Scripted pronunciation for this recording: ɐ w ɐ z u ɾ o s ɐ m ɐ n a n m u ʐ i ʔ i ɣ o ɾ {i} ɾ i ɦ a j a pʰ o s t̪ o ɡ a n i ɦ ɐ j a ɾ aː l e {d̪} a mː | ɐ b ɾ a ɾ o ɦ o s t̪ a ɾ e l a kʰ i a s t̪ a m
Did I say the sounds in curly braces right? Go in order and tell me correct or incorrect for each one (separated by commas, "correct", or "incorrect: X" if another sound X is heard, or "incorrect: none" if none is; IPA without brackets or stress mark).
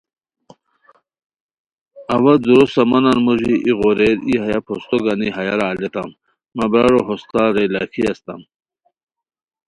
incorrect: e, incorrect: t̪